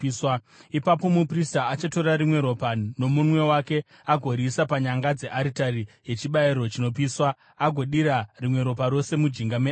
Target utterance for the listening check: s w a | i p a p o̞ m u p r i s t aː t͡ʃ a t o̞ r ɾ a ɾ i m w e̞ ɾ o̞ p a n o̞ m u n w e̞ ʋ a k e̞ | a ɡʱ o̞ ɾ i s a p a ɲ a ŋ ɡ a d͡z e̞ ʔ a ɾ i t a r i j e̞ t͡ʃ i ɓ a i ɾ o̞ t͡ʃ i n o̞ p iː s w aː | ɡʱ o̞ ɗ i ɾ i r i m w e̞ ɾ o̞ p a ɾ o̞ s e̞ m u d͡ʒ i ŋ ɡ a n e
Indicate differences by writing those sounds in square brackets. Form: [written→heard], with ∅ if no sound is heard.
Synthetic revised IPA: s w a | i p a p o̞ m u p r i s t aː t͡ʃ a t o̞ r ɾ a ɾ i m w e̞ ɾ o̞ p a n o̞ m u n w e̞ [ʋ→w] a k e̞ | a ɡʱ o̞ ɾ i s a p a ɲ a ŋ ɡ a d͡z e̞ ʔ a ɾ i t a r i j e̞ t͡ʃ i ɓ a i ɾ o̞ t͡ʃ i n o̞ p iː s w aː | ɡʱ o̞ ɗ i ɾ [i→a] r i m w e̞ ɾ o̞ p a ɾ o̞ s e̞ m u d͡ʒ i ŋ ɡ a [n→m] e